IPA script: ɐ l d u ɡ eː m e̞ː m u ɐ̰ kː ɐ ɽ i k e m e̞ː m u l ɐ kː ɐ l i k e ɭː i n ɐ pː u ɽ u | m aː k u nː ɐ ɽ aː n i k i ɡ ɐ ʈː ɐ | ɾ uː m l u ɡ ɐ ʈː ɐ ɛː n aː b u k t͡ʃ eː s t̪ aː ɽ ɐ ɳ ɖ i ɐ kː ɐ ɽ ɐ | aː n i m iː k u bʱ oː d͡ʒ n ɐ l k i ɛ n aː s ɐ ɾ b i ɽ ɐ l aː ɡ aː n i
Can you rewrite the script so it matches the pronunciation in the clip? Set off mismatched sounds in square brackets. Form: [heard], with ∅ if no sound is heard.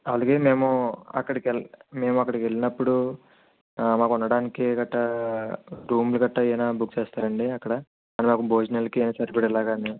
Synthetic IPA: ɐ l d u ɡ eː m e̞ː m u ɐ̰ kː ɐ ɽ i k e m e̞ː m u [∅] ɐ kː ɐ [ɽ] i k e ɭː i n ɐ pː u ɽ u | m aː k u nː ɐ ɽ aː n i k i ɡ ɐ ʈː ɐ | ɾ uː m l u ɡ ɐ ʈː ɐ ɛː n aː b u k t͡ʃ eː s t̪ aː [ɾ] ɐ ɳ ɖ i ɐ kː ɐ ɽ ɐ | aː n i m [aː] k u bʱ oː d͡ʒ n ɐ l k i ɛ n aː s ɐ ɾ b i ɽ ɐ l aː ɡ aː n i